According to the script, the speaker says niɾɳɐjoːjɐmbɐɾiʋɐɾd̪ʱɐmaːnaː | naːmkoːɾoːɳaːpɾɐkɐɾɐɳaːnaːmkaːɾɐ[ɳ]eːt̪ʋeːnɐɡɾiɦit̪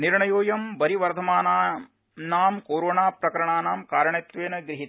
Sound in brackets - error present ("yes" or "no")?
no